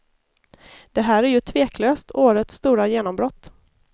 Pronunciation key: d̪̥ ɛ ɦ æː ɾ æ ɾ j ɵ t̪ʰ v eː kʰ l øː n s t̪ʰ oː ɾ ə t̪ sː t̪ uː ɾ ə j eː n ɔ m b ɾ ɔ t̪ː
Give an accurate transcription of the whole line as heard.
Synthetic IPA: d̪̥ ɛ ɦ æː ɾ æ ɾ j ɵ t̪ʰ v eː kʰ l øː s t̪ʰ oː ɾ ə t̪ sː t̪ uː ɾ a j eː n ɔ m b ɾ ɔ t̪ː